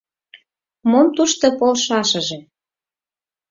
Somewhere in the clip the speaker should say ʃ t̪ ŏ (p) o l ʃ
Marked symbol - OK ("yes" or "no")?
yes